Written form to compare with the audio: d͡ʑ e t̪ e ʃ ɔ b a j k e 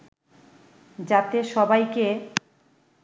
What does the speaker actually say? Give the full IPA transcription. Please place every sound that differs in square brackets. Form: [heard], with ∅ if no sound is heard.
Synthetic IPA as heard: d͡ʑ [a] t̪ e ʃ ɔ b a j k e

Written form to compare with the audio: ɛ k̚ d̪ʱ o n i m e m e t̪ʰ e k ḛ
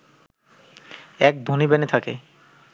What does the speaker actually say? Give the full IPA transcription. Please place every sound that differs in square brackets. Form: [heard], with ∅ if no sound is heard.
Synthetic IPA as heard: ɛ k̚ d̪ʱ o n i [b] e [n] e t̪ʰ [a] k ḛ

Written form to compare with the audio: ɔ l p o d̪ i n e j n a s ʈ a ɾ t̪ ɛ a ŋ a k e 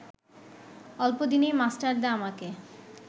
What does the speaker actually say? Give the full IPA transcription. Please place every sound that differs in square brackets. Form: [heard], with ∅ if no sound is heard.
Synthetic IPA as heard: ɔ l p o d̪ i n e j [m] a s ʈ a ɾ [d̪] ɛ a [m] a k e

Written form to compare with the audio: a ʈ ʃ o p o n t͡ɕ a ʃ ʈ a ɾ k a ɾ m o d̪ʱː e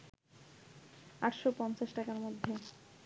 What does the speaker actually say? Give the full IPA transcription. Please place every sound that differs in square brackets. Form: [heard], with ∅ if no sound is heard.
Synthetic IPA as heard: a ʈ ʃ o p [ɔ] n t͡ɕ a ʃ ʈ a [∅] k a ɾ m o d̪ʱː e

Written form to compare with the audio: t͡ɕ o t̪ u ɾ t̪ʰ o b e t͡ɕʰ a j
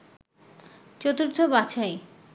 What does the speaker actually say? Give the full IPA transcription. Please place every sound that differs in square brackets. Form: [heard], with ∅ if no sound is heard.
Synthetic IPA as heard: t͡ɕ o t̪ u ɾ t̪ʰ o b [a] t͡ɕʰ a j

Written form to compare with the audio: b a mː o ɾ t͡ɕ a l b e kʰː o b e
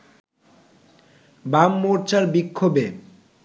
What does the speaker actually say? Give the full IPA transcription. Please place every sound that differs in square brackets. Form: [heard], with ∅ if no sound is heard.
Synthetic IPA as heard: b a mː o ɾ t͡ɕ a [ɾ] b [i] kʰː o b e

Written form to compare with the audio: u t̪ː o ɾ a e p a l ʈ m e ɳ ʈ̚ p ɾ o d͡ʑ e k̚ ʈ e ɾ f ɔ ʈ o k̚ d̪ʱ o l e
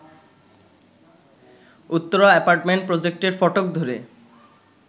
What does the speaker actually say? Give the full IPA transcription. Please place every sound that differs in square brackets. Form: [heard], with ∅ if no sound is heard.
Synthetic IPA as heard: u t̪ː o ɾ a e p a [ɾ] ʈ m e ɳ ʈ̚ p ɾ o d͡ʑ e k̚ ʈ e ɾ f ɔ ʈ o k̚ d̪ʱ o [ɾ] e

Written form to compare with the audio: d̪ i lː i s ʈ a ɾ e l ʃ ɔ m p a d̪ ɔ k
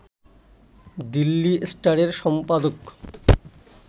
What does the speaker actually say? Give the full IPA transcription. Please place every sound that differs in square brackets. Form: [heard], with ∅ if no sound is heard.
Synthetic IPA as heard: d̪ i lː i s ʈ a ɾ e [ɾ] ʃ ɔ m p a d̪ [o] k

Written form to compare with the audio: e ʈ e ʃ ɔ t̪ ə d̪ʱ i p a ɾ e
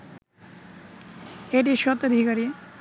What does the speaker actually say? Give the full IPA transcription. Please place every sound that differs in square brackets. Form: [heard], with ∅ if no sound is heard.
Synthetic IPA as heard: e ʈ [i] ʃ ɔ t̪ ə d̪ʱ i [k] a ɾ [i]

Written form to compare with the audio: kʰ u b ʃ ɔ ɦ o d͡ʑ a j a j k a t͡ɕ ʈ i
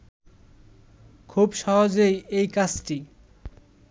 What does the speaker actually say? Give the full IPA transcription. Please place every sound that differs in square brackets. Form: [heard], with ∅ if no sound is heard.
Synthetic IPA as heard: kʰ u b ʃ ɔ ɦ o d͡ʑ [e] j [e] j k a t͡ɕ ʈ i

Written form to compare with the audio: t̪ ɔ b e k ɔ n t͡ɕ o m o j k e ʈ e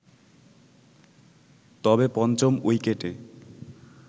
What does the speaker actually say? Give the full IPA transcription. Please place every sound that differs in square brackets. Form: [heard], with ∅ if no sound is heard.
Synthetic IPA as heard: t̪ ɔ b e [p] ɔ n t͡ɕ o m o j k e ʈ e

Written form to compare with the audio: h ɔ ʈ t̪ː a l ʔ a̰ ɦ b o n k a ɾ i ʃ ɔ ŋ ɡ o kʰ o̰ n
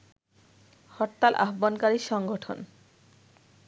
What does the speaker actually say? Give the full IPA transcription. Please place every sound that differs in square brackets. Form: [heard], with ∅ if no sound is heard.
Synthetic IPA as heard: h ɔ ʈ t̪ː a l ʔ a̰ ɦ b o n k a ɾ i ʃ ɔ ŋ ɡ o [ʈʰ] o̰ n

